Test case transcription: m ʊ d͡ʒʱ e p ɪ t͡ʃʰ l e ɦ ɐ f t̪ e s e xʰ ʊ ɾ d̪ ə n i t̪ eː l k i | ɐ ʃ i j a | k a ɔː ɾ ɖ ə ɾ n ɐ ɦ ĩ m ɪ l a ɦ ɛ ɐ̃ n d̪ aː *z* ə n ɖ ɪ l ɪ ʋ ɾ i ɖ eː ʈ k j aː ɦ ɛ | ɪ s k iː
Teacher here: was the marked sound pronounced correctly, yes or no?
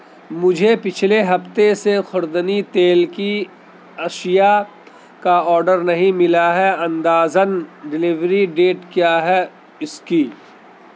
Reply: yes